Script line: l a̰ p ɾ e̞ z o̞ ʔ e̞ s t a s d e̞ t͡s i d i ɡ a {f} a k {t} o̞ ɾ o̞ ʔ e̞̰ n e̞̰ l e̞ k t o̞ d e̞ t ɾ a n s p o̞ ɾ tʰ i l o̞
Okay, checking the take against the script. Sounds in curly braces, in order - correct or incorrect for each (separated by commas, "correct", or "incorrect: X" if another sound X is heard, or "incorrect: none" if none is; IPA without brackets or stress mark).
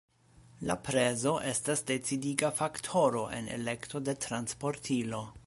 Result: correct, incorrect: tʰ